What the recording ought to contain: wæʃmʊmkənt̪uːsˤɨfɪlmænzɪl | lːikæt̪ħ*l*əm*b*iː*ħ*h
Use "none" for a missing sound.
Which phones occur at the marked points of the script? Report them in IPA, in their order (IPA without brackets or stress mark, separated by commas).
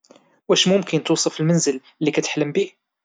l, b, none